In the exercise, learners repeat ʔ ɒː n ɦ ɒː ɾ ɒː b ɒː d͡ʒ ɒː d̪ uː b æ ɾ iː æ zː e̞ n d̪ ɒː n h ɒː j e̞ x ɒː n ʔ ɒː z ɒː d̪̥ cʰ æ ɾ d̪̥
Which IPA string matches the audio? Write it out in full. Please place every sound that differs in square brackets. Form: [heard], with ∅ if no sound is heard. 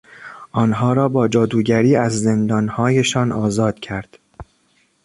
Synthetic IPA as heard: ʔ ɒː n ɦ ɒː ɾ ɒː b ɒː d͡ʒ ɒː d̪ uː [ɟ] æ ɾ iː æ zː e̞ n d̪ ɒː n h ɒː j e̞ [ʃ] ɒː n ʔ ɒː z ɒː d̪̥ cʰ æ ɾ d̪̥